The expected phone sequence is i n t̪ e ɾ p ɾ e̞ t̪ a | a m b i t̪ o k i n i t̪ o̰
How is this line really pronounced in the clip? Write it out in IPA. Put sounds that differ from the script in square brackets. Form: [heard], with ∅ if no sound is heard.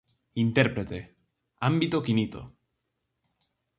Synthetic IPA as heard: i n t̪ e ɾ p ɾ e̞ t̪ [e] | a m b i t̪ o k i n i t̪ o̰